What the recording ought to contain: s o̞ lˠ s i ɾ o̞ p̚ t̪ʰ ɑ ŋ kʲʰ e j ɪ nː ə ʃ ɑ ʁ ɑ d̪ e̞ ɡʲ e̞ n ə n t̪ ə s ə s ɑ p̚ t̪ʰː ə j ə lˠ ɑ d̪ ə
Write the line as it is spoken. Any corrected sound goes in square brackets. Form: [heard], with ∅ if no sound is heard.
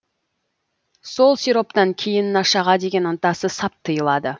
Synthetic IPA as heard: s o̞ lˠ s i ɾ o̞ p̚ [t̪] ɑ ŋ kʲʰ e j ɪ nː [ɑ] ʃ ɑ ʁ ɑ d̪ e̞ ɡʲ e̞ n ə n t̪ [ɑ] s ə s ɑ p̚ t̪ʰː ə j ə lˠ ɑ d̪ ə